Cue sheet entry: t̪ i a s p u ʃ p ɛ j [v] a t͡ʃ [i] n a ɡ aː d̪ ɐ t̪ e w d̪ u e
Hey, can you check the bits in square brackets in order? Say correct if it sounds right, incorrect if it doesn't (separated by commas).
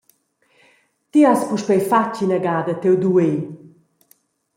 incorrect, correct